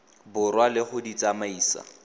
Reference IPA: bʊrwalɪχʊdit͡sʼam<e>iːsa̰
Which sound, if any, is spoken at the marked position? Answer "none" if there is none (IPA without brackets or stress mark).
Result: a